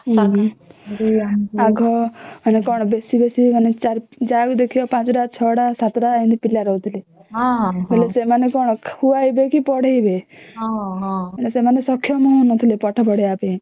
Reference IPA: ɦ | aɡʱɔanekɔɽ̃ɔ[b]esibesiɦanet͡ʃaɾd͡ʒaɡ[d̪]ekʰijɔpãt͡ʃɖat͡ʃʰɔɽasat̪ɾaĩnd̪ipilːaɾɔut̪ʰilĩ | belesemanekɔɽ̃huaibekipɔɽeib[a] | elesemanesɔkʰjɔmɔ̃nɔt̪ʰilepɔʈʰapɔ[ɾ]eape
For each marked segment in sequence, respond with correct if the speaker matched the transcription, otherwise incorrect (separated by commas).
correct, correct, incorrect, incorrect